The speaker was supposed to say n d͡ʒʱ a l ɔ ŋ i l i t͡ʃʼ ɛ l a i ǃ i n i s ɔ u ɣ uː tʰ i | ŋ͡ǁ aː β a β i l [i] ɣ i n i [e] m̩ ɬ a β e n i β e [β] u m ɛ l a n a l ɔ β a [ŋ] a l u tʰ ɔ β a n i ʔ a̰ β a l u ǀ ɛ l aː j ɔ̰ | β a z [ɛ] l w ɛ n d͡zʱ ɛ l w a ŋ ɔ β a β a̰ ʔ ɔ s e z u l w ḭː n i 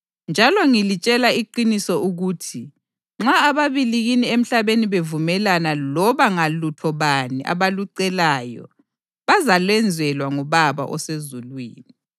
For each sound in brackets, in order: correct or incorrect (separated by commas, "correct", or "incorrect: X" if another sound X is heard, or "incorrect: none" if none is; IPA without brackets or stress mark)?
correct, correct, incorrect: v, correct, incorrect: a